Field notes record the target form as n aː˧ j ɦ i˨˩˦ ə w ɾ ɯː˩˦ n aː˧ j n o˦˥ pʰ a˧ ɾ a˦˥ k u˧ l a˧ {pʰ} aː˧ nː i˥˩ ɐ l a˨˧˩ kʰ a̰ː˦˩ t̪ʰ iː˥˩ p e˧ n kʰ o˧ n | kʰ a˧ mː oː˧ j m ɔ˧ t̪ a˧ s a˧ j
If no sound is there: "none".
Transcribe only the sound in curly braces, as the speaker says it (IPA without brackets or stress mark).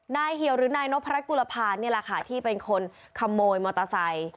pʰ